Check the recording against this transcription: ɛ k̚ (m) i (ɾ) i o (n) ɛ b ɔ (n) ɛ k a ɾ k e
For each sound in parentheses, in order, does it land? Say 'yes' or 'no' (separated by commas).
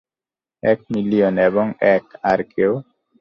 yes, no, yes, no